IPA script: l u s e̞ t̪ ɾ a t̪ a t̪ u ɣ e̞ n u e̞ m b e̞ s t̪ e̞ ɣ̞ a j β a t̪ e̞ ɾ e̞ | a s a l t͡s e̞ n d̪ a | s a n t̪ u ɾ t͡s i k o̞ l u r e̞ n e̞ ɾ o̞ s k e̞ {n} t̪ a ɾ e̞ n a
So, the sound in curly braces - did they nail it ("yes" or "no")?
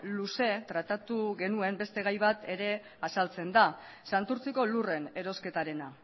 no